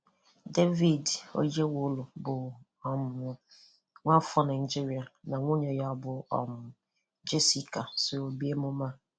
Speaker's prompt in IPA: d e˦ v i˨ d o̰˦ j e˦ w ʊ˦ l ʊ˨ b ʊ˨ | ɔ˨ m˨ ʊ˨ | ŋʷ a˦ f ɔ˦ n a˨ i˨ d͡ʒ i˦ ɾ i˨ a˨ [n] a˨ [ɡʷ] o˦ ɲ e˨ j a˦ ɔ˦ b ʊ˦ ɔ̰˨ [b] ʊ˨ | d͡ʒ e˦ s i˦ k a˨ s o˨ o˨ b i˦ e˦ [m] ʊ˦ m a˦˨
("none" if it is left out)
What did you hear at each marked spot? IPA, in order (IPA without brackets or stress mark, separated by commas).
n, ŋʷ, m, m